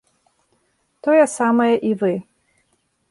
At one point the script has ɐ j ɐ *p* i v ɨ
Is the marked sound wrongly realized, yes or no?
yes